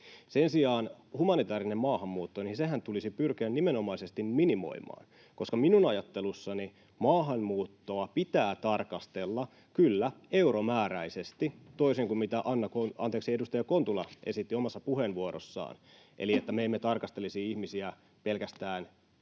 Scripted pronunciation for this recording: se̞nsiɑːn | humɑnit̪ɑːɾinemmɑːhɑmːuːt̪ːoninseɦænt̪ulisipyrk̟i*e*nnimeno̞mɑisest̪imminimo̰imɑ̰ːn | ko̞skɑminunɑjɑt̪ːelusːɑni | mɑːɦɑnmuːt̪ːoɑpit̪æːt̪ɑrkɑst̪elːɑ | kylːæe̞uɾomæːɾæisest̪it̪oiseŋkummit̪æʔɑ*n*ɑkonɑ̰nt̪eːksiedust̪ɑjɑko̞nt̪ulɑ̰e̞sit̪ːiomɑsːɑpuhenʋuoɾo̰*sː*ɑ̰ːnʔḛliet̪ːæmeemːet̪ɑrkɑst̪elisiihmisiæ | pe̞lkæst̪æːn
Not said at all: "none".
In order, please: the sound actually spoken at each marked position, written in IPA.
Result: æ, nː, sː

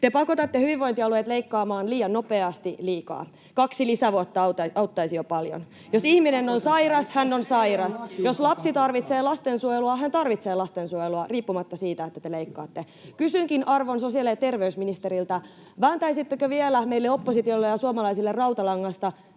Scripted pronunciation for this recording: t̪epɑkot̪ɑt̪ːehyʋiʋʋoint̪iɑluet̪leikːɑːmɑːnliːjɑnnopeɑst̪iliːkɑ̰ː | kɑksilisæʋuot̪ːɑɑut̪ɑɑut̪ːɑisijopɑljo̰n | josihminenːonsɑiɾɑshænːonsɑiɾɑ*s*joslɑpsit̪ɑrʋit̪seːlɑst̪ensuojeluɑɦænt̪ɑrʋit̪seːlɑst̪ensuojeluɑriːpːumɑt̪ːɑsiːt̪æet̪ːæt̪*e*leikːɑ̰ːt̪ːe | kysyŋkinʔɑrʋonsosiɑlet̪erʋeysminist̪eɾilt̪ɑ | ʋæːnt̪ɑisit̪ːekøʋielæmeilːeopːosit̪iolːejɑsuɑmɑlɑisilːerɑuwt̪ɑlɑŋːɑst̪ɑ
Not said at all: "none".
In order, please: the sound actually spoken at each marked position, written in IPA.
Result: s, e

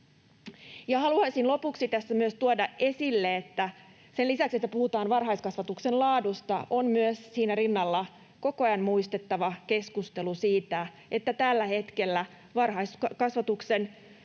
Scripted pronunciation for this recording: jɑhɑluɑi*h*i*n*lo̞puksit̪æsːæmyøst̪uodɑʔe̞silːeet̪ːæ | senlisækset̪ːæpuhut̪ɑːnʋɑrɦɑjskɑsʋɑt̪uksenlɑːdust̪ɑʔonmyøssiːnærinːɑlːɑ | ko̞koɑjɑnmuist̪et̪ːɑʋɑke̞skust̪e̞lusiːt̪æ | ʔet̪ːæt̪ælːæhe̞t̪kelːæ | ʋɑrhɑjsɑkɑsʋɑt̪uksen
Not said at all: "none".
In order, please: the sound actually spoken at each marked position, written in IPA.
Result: s, n

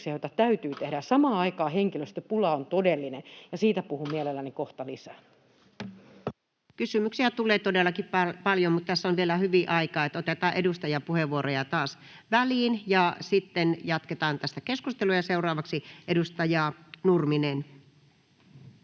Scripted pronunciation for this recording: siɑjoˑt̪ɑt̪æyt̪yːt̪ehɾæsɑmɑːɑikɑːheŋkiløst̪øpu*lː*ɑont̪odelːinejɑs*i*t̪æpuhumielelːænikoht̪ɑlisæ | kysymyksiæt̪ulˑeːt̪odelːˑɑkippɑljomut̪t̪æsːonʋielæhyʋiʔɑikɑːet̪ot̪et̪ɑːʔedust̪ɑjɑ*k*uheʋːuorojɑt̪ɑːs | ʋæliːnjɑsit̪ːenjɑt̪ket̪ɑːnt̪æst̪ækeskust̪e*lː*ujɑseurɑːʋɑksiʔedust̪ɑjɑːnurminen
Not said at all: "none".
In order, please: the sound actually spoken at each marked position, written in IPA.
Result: l, iː, p, l

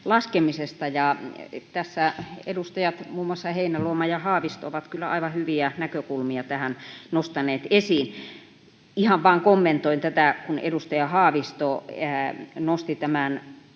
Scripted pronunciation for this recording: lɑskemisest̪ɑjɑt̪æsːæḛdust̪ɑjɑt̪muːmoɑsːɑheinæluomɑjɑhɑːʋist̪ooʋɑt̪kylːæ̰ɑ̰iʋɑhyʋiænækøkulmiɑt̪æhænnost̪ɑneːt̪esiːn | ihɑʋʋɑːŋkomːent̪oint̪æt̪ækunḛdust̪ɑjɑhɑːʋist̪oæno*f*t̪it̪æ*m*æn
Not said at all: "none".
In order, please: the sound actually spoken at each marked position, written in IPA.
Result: s, m

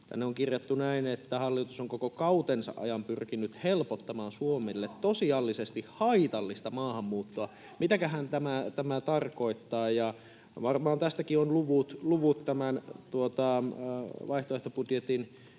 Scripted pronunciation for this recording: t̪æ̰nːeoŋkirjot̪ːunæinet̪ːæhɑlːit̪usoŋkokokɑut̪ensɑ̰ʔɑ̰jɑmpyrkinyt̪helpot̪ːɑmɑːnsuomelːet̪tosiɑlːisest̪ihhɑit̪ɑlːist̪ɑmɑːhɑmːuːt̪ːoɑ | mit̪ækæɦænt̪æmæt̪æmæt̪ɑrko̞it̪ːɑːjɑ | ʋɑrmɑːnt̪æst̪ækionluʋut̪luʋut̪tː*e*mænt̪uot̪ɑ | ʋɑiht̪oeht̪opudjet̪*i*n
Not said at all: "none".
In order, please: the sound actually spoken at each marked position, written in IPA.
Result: æ, i

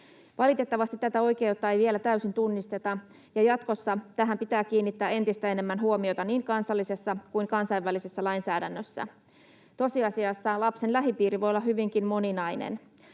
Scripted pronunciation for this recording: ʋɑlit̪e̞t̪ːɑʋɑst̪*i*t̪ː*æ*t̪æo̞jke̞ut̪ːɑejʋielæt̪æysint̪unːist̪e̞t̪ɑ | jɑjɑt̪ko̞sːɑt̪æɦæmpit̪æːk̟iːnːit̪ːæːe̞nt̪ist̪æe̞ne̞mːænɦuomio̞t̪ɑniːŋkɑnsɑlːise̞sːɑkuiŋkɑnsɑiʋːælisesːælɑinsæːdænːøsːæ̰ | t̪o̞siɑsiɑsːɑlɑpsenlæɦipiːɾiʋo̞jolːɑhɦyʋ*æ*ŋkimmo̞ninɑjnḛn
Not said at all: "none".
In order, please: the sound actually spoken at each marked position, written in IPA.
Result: i, æ, i

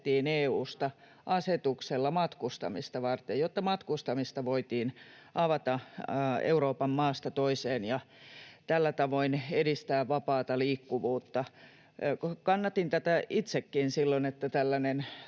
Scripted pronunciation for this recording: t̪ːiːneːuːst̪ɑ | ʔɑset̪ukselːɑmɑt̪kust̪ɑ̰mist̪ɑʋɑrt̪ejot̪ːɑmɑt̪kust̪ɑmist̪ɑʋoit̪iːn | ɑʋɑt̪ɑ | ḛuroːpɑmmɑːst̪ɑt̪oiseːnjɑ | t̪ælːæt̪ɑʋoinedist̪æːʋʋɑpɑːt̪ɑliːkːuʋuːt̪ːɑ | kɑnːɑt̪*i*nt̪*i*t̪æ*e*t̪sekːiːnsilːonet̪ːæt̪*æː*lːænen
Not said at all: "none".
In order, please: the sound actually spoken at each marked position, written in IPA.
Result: i, æ, i, æ

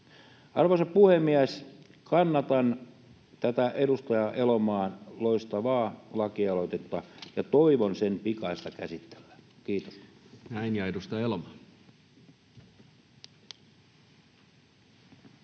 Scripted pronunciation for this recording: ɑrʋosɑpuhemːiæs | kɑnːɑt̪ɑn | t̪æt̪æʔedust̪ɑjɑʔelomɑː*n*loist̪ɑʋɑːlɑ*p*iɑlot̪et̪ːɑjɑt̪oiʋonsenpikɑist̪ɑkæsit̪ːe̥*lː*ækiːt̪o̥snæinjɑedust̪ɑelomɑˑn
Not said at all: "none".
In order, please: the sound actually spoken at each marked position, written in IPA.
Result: n, k, lː

